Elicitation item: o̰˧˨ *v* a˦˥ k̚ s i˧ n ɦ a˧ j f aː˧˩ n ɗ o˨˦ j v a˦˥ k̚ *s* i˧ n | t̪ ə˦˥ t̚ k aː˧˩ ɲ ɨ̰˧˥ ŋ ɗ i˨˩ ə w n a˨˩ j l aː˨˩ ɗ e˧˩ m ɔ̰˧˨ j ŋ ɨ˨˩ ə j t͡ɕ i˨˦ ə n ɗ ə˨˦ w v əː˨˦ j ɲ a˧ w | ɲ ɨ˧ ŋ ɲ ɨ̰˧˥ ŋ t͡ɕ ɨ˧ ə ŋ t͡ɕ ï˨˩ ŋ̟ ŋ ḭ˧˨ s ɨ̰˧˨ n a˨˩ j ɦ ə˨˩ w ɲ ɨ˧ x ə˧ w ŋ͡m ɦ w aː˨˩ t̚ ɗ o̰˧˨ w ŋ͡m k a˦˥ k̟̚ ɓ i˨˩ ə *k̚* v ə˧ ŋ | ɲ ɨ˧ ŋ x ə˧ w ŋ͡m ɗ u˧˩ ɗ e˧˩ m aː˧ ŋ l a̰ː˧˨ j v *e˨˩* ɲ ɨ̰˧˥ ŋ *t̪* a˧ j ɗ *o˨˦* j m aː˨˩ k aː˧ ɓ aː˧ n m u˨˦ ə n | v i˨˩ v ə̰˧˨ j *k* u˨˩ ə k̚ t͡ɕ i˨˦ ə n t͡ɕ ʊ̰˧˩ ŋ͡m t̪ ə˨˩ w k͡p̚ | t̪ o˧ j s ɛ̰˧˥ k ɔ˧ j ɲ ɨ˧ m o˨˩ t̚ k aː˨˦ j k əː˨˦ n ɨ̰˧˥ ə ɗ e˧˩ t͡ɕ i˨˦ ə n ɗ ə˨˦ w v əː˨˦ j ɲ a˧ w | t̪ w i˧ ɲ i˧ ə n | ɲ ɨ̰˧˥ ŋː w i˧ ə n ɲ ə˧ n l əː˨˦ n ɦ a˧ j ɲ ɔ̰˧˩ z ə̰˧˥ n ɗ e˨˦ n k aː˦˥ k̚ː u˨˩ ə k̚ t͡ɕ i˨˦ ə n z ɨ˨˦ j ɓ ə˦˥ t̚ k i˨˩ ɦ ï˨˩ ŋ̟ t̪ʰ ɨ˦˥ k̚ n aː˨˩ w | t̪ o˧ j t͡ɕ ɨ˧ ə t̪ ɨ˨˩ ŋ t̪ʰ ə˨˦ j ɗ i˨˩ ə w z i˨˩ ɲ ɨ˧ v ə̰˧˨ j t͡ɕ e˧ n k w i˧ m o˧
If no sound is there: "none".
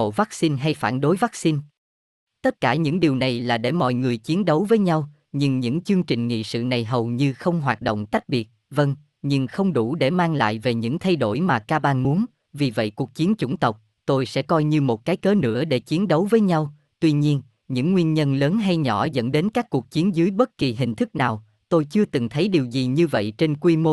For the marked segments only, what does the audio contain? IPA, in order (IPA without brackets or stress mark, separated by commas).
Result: v, s, t̚, e˨˩, t̪ʰ, o˧˩, k